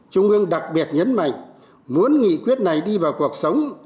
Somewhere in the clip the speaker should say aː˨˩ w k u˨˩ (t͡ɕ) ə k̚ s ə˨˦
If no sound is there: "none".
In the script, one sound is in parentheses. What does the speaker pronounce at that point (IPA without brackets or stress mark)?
none